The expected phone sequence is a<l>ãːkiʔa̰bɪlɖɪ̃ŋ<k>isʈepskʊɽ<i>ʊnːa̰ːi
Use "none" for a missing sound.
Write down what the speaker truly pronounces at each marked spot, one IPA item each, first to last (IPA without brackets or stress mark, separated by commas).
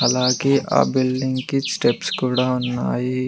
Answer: l, k, a